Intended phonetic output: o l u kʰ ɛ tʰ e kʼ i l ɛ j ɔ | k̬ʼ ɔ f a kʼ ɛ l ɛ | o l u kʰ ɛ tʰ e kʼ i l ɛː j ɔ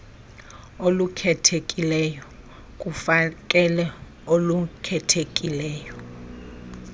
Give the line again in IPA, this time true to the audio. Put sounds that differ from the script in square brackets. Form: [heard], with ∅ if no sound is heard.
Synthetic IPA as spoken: o l u kʰ ɛ tʰ e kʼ i l ɛ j ɔ | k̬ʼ [u] f a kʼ ɛ l ɛ | o l u kʰ ɛ tʰ e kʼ i l ɛː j ɔ